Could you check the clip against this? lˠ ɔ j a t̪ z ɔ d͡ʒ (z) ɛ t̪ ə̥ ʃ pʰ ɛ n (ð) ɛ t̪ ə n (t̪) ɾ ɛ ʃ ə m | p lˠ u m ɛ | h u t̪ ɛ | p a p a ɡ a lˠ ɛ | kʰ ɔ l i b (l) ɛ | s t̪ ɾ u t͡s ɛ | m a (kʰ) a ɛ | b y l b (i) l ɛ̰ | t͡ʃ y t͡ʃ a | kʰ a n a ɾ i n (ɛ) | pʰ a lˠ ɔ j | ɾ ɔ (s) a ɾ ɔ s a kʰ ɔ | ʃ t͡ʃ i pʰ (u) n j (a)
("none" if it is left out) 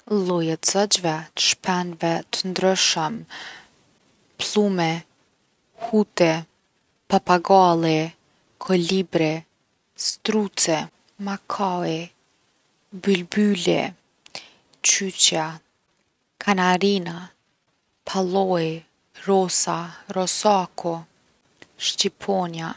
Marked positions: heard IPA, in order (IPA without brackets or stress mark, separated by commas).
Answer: v, v, d̪, ɾ, kʰ, y, a, s, ɔ, a